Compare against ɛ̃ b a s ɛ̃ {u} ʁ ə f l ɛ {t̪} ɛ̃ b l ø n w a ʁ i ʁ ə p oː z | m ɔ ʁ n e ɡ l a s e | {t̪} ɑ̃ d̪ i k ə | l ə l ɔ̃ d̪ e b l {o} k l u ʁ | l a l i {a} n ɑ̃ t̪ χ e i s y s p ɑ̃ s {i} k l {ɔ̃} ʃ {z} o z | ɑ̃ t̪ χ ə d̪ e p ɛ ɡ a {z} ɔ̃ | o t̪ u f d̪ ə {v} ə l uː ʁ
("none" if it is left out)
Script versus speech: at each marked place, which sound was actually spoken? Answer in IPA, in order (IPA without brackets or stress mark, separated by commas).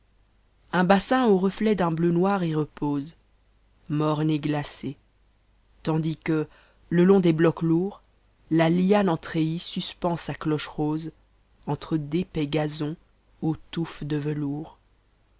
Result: o, d̪, t̪, ɔ, a, a, ɔ, ʁ, z, v